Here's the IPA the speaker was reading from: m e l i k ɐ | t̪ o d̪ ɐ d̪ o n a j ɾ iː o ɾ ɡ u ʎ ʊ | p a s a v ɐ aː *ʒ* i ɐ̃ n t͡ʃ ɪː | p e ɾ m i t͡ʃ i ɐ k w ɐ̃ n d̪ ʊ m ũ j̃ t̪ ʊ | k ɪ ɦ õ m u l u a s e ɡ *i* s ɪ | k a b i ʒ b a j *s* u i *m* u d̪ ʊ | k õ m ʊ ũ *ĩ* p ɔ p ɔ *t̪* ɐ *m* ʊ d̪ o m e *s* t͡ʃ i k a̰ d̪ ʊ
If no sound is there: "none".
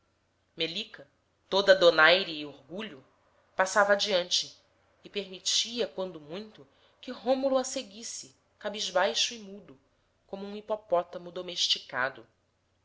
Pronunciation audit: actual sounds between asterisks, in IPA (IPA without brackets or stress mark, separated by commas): d͡ʒ, i, ʃ, m, i, t̪, m, ʃ